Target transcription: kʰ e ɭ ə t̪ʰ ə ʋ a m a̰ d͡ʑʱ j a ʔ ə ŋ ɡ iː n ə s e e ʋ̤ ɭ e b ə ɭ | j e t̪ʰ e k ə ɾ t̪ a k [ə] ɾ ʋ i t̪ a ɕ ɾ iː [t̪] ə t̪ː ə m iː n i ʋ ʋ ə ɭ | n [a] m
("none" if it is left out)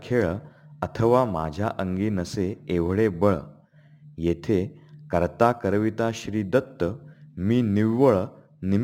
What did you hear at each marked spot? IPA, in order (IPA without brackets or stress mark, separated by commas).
ə, d̪, i